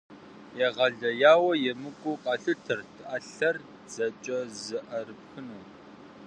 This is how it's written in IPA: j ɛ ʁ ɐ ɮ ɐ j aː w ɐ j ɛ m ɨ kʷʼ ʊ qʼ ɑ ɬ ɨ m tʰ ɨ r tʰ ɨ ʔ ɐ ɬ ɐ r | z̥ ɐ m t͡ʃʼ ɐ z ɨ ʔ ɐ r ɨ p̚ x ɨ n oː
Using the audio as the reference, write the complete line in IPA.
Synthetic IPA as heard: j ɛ ʁ ɐ ɮ ɐ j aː w ɐ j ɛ m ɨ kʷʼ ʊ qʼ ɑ ɬ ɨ tʰ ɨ r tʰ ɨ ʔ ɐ ɬ ɐ r | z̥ ɐ t͡ʃʼ ɐ z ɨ ʔ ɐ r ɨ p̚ x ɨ n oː